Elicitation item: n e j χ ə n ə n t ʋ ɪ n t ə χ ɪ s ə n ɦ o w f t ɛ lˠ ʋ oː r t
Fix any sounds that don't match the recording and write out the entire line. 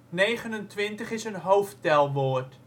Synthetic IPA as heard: n e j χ ə n ə n t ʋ ɪ n t ə χ ɪ s ə n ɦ o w f t ɛ lˠ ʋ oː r t